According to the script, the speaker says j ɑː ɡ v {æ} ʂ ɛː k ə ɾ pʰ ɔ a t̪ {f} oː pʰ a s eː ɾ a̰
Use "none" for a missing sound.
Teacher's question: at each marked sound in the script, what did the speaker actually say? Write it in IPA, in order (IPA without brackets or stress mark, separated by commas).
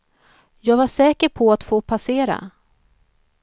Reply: a, f